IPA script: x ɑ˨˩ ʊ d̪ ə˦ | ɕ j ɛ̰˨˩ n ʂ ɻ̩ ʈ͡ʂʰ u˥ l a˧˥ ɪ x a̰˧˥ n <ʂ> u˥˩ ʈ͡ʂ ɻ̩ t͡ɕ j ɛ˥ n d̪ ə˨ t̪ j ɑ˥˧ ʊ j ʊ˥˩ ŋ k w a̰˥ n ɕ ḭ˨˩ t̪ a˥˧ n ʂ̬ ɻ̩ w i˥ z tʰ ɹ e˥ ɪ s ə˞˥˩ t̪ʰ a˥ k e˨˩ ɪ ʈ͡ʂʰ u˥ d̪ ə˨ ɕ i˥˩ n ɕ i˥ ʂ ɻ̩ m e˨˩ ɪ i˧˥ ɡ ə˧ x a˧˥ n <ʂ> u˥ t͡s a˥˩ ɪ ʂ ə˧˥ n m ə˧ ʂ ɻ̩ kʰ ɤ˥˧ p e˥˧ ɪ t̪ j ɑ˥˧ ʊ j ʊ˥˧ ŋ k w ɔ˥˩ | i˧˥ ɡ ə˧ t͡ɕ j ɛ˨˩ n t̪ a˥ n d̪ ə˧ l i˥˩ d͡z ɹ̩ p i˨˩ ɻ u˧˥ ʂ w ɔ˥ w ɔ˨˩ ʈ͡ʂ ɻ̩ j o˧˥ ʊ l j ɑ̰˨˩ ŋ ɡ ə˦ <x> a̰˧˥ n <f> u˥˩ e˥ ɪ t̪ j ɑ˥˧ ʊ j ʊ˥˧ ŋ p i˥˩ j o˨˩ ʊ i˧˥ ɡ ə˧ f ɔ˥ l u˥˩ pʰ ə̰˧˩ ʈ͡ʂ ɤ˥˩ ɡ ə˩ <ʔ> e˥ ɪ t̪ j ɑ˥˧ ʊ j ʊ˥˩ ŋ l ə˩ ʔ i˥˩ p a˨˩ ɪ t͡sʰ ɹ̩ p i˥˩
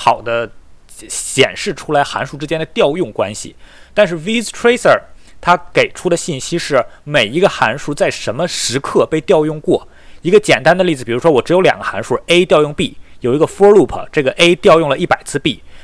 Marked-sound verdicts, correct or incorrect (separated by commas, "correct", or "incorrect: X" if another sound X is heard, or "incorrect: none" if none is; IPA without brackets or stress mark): correct, correct, correct, incorrect: ʂ, correct